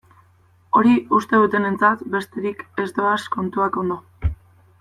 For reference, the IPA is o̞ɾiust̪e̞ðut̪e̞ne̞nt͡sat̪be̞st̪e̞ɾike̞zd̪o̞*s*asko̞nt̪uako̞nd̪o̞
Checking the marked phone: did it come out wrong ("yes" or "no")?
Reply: yes